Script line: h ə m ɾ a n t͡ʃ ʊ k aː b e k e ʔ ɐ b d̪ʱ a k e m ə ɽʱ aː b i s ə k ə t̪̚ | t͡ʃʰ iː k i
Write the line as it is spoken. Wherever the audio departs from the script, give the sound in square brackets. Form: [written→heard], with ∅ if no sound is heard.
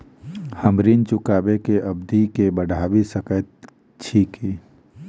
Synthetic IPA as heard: h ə m ɾ [a→i] n t͡ʃ ʊ k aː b e k e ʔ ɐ b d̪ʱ [a→i] k e [m→b] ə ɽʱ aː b i s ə k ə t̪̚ | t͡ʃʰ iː k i